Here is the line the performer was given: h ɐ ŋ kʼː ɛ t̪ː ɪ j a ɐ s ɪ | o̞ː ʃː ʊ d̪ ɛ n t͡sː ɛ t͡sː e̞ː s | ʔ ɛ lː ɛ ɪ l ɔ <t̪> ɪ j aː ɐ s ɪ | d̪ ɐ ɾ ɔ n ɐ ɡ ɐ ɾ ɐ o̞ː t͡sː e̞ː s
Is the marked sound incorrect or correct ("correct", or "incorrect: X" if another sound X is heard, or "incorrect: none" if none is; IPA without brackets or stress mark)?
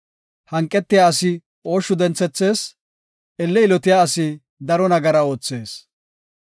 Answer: correct